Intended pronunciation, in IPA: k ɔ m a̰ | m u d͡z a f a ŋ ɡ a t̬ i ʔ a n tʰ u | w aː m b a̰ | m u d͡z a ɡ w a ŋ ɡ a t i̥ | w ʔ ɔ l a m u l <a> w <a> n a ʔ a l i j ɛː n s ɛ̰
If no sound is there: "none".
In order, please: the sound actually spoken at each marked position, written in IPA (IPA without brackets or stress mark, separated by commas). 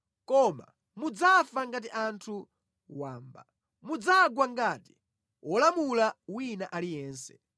a, i